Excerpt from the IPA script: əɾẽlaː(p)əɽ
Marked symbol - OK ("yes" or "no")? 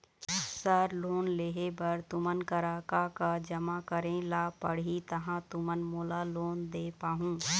yes